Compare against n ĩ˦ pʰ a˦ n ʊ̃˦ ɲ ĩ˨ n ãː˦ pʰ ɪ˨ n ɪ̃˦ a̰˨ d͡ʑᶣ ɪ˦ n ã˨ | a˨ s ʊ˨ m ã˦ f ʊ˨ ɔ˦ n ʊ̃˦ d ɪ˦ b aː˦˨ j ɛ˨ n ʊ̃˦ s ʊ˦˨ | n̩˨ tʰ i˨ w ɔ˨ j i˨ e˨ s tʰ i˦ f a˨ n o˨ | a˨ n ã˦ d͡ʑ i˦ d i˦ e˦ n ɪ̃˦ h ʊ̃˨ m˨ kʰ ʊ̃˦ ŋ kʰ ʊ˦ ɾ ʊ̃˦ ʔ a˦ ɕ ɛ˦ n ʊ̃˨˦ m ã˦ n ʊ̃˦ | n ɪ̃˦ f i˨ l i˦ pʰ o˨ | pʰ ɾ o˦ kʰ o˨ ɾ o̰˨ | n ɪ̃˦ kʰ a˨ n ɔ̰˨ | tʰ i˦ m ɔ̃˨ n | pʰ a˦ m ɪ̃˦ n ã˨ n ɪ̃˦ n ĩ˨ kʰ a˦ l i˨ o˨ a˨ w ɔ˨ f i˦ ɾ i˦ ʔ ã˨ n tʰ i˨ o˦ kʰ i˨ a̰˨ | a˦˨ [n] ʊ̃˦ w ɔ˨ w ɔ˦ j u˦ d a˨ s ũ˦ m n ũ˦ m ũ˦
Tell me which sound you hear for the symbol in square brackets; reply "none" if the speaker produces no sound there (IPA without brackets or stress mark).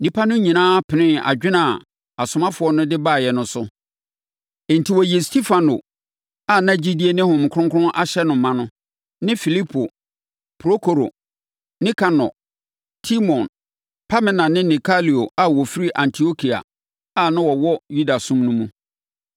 n